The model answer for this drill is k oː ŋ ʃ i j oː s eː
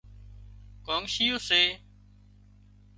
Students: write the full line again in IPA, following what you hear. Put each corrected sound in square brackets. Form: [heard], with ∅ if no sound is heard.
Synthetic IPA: k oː ŋ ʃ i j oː s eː